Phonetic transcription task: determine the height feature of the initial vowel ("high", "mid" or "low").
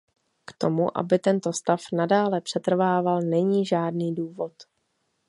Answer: mid